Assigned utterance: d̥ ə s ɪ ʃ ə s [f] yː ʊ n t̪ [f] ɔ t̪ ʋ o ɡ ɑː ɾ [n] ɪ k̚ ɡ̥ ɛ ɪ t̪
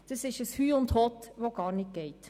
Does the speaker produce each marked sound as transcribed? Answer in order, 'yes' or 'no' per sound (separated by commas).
no, no, yes